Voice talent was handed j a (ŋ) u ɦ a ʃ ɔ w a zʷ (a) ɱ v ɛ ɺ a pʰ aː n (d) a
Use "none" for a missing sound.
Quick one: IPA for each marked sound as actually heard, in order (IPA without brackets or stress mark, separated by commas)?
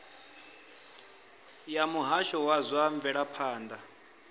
m, a, d